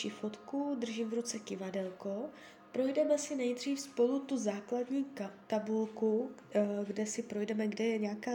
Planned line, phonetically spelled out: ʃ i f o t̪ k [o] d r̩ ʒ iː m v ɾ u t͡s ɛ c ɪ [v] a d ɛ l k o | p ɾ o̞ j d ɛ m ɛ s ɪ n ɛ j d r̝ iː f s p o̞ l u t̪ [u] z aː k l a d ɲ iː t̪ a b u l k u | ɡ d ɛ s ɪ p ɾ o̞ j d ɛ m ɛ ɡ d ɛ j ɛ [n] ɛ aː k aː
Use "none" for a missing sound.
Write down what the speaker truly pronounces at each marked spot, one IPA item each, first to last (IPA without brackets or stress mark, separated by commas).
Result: u, v, u, ɲ